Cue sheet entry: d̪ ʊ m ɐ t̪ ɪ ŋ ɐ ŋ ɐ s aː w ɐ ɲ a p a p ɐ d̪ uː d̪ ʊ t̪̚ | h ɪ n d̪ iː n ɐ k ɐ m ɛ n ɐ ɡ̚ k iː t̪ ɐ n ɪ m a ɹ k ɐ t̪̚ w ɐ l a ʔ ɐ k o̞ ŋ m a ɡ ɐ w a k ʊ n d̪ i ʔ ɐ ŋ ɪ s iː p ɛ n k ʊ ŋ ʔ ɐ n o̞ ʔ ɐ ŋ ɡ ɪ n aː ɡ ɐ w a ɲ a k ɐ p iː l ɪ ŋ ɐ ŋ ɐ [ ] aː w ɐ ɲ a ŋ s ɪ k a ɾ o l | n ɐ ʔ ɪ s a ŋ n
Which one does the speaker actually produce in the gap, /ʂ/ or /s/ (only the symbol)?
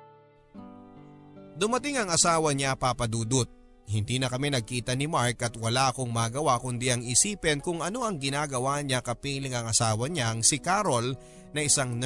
s